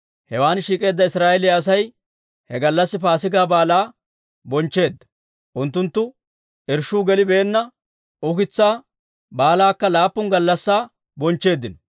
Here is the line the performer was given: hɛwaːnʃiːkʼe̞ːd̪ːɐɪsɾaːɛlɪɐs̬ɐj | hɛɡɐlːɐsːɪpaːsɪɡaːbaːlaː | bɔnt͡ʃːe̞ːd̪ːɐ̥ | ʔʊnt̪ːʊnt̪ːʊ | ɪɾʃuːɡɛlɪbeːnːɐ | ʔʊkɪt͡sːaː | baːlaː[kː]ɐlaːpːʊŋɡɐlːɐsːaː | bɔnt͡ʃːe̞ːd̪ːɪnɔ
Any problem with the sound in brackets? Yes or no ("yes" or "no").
no